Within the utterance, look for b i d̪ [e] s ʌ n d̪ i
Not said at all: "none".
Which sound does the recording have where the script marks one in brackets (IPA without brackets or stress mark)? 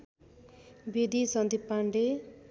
i